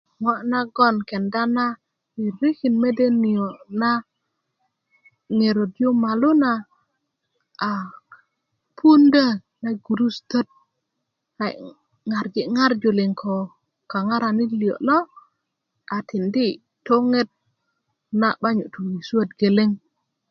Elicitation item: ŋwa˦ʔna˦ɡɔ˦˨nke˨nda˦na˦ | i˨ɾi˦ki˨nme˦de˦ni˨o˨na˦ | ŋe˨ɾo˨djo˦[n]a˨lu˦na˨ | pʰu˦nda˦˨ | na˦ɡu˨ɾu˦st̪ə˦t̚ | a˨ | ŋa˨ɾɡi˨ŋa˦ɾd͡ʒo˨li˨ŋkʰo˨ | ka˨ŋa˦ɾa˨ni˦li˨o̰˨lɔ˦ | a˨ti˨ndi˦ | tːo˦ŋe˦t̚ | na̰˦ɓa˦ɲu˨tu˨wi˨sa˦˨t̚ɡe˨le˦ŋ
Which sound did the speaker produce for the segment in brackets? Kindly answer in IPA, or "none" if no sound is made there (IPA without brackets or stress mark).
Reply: m